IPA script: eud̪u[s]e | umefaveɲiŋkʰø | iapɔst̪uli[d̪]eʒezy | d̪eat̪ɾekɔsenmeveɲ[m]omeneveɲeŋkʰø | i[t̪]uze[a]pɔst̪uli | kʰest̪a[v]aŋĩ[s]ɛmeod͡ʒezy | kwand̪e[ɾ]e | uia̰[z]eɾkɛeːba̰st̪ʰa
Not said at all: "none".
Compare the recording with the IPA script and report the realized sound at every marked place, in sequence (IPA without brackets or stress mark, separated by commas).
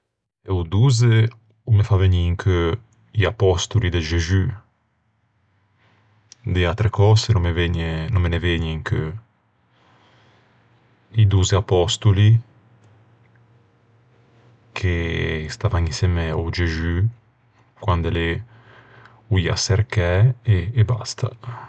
z, d̪, n, d̪, a, v, s, l, s